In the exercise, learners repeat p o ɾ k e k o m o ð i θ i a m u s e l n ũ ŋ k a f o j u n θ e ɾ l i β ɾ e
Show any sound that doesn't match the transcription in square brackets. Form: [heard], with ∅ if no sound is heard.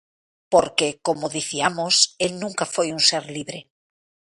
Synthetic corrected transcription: p o ɾ k e k o m o ð i θ i a m [o] s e l n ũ ŋ k a f o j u n [s] e ɾ l i β ɾ e